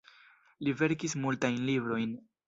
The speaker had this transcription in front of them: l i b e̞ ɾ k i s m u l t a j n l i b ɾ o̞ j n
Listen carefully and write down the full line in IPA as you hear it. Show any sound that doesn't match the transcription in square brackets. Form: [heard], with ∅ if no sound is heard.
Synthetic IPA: l i [v] e̞ ɾ k i s m u l t a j n l i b ɾ o̞ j n